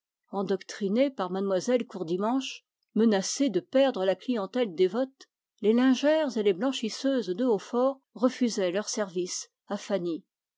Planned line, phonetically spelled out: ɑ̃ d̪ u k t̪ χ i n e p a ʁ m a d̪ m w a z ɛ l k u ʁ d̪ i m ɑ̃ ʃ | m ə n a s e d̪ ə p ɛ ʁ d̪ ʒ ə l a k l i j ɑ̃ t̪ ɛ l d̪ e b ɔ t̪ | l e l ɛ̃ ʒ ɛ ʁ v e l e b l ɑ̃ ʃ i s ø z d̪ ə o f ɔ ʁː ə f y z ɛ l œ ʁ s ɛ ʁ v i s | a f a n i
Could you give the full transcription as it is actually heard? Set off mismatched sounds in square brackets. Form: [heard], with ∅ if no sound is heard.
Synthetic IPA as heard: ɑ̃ d̪ [ɔ] k t̪ χ i n e p a ʁ m a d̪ m w a z ɛ l k u ʁ d̪ i m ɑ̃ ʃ | m ə n a s e d̪ ə p ɛ ʁ d̪ [ʁ] ə l a k l i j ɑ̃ t̪ ɛ l d̪ e [v] ɔ t̪ | l e l ɛ̃ ʒ ɛ ʁ [z] e l e b l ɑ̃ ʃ i s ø z d̪ ə o f ɔ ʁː ə f y z ɛ l œ ʁ s ɛ ʁ v i s | a f a n i

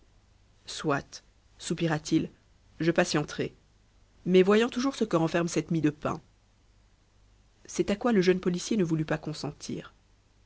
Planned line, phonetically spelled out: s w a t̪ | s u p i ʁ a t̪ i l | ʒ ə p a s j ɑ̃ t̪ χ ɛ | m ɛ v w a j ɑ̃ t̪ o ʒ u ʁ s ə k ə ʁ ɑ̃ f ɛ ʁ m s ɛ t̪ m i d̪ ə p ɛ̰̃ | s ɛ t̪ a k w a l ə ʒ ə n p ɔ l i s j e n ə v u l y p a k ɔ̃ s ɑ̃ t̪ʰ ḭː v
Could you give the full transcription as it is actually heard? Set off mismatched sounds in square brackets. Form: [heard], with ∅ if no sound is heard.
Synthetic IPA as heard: s w a t̪ | s u p i ʁ a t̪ i l | ʒ ə p a s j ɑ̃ t̪ χ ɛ | m ɛ v w a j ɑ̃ t̪ [u] ʒ u ʁ s ə k ə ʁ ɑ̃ f ɛ ʁ m s ɛ t̪ m i d̪ ə p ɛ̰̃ | s ɛ t̪ a k w a l ə ʒ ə n p ɔ l i s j e n ə v u l y p a k ɔ̃ s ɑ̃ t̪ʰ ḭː [ʁ]

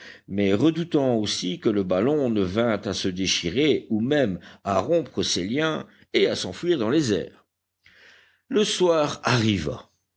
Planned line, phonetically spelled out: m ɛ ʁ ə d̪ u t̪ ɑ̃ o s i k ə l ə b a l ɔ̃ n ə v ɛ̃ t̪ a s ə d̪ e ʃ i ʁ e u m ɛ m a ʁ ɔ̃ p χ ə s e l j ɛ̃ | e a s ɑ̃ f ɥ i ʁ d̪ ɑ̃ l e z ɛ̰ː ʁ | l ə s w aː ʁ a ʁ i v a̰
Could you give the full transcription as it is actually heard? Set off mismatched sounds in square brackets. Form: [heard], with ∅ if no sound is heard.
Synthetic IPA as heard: m ɛ ʁ ə d̪ u t̪ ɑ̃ o s i k ə l ə b a l ɔ̃ n ə v ɛ̃ t̪ a s ə d̪ e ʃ i ʁ e u m ɛ m a ʁ ɔ̃ p χ ə s e l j ɛ̃ | e a s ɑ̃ f ɥ i ʁ d̪ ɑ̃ l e z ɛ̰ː ʁ | l ə s w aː ʁ a ʁ i v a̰

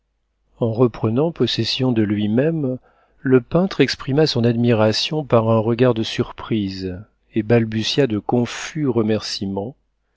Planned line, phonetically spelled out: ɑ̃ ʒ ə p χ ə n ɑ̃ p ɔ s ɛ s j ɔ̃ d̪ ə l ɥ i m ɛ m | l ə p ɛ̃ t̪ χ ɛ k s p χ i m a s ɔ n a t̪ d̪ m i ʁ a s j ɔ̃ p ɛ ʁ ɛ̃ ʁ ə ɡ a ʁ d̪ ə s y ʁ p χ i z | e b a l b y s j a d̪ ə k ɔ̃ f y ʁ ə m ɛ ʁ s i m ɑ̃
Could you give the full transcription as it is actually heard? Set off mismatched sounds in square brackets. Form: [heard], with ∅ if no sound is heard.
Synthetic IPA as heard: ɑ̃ [ʁ] ə p χ ə n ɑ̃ p ɔ s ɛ s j ɔ̃ d̪ ə l ɥ i m ɛ m | l ə p ɛ̃ t̪ χ ɛ k s p χ i m a s [ɔ̃] n a [∅] d̪ m i ʁ a s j ɔ̃ p [a] ʁ ɛ̃ ʁ ə ɡ a ʁ d̪ ə s y ʁ p χ i z | e b a l b y s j a d̪ ə k ɔ̃ f y ʁ ə m ɛ ʁ s i m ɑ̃

